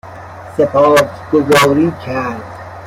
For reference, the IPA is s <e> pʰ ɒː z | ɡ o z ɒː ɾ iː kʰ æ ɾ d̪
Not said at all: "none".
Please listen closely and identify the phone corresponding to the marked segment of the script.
e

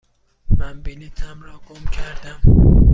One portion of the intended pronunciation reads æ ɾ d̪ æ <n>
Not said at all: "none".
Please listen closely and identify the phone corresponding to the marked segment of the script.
m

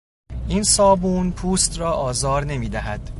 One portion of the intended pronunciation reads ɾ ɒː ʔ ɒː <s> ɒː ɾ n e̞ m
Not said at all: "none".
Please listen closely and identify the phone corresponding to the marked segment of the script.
z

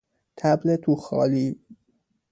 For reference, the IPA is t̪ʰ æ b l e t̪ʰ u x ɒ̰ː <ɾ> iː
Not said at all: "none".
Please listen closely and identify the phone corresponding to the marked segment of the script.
l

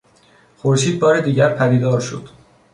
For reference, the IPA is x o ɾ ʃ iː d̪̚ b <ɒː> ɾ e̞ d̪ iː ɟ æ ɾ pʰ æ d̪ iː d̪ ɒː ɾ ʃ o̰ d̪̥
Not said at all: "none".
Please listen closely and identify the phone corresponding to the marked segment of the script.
ɒː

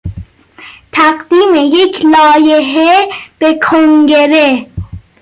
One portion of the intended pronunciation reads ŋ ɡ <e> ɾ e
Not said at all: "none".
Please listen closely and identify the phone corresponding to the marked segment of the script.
e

